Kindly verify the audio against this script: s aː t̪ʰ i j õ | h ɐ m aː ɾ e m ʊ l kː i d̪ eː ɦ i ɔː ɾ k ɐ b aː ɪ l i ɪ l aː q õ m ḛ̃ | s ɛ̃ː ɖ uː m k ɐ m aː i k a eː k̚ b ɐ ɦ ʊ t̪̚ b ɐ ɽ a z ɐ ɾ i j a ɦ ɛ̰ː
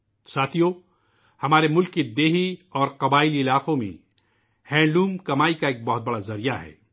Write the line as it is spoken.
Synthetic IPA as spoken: s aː t̪ʰ i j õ | h ɐ m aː ɾ e m ʊ l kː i d̪ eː ɦ i ɔː ɾ q ɐ b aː ɪ l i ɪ l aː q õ m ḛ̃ | h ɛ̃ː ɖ uː m k ɐ m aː i k a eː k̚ b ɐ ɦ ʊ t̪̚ b ɐ ɽ a z ɐ ɾ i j a ɦ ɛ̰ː